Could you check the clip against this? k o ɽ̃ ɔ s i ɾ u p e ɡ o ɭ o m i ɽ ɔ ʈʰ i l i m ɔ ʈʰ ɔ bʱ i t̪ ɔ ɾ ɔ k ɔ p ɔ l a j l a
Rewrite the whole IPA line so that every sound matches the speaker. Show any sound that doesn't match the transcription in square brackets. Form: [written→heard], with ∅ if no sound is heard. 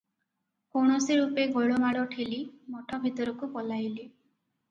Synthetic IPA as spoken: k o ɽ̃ ɔ s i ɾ u p e ɡ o ɭ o m [i→a] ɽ ɔ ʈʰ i l i m ɔ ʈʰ ɔ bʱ i t̪ ɔ ɾ ɔ k [ɔ→u] p ɔ l a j l [a→i]

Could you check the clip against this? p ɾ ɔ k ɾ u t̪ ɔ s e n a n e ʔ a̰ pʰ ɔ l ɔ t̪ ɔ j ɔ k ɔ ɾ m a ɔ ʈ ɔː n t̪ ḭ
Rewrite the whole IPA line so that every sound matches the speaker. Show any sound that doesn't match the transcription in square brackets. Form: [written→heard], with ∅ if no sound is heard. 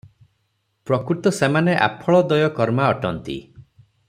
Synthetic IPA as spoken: p ɾ ɔ k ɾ u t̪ ɔ s e [n→m] a n e ʔ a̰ pʰ ɔ [l→ɭ] ɔ [t̪→d̪] ɔ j ɔ k ɔ ɾ m a ɔ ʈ [ɔː→ɔ] n t̪ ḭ

